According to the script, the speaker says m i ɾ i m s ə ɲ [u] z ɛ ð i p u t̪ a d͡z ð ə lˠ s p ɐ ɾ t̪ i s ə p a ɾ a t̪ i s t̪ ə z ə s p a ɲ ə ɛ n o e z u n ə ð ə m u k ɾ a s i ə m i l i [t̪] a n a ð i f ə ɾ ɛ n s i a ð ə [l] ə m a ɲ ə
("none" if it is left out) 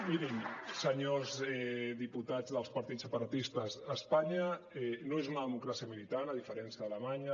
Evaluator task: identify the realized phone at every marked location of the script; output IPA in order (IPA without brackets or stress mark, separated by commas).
o, t̪, l